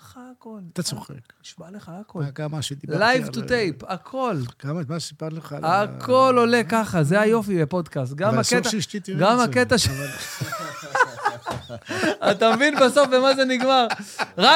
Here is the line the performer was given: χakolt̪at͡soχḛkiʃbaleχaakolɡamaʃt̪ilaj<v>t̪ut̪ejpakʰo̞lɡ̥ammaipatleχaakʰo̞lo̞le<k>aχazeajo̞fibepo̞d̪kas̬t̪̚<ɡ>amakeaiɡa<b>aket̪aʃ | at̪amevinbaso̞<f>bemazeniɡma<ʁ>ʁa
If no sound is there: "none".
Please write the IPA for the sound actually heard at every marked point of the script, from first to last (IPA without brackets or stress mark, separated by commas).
v, k, ɡ, m, f, ʁ